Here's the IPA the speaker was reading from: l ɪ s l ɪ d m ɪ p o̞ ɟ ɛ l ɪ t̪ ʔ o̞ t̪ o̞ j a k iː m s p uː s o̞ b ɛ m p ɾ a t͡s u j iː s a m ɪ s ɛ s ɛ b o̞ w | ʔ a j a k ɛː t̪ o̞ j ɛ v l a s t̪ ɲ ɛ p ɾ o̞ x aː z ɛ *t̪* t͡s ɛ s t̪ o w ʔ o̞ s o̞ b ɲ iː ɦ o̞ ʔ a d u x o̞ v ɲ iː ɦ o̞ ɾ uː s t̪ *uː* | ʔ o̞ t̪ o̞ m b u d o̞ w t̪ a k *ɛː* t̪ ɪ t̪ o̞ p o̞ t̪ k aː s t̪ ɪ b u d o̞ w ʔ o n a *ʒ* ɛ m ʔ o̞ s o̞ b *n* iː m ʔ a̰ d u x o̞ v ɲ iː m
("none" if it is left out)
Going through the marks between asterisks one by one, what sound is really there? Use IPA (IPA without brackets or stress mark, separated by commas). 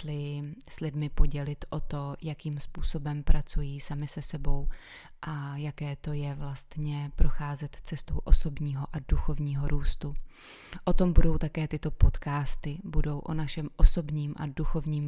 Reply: t̪, u, ɛː, ʃ, ɲ